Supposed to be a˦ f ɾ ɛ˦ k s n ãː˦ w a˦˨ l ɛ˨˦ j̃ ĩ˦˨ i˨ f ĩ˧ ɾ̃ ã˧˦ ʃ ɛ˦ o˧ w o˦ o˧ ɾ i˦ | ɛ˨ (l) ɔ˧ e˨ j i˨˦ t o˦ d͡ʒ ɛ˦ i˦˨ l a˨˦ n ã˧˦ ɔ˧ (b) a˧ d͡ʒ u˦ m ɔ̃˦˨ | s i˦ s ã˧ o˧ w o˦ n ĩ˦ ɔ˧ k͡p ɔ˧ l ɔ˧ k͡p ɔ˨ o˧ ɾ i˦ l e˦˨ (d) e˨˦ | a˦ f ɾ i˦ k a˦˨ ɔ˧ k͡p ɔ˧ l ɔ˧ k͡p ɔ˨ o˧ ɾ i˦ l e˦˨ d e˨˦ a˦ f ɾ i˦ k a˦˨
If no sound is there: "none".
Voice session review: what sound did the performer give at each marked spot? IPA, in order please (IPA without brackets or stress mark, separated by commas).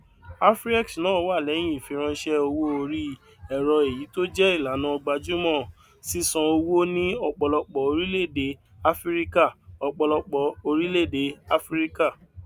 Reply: ɾ, ɡ͡b, d